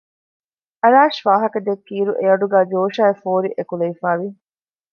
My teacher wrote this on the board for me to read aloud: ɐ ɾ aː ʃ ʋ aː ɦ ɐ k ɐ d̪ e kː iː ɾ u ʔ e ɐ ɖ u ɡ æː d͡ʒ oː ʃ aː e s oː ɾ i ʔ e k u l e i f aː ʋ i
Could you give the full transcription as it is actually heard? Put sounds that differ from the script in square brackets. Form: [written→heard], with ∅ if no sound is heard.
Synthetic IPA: ɐ ɾ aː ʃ ʋ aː ɦ ɐ k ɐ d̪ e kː iː ɾ u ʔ e ɐ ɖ u ɡ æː d͡ʒ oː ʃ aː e [s→f] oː ɾ i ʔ e k u l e i f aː ʋ i